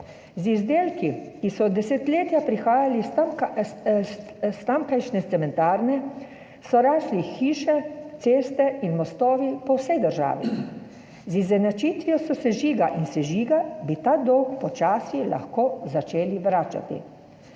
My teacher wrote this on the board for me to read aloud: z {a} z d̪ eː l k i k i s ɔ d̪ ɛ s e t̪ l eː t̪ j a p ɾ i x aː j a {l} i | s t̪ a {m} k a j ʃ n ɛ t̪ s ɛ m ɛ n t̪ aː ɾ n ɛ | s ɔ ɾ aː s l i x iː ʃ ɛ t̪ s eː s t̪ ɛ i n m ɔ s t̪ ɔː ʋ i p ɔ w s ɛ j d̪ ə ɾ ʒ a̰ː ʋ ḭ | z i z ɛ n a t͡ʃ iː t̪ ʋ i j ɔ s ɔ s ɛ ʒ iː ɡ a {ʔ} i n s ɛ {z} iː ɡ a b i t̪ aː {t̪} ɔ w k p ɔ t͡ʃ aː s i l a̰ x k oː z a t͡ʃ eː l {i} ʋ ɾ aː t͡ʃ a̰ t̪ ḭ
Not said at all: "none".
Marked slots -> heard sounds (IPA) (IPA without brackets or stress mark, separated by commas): i, l, m, ʔ, ʒ, d̪, i